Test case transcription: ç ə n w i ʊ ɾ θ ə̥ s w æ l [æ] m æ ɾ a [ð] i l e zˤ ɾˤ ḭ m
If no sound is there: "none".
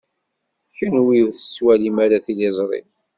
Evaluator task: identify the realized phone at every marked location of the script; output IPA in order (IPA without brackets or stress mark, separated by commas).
i, θ